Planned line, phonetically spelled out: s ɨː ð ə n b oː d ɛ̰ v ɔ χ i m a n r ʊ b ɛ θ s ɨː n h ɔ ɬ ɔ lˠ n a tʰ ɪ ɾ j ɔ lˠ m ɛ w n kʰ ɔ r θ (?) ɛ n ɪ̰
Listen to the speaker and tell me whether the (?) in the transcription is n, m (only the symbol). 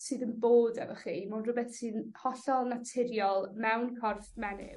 m